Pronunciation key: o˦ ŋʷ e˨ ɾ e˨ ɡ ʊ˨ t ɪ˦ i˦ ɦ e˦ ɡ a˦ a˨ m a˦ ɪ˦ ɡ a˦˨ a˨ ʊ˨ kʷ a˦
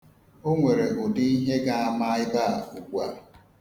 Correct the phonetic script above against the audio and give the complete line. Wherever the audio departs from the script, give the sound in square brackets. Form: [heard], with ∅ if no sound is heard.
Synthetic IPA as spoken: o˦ ŋʷ e˨ ɾ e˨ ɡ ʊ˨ [d] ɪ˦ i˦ ɦ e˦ ɡ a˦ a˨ m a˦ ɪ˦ [b] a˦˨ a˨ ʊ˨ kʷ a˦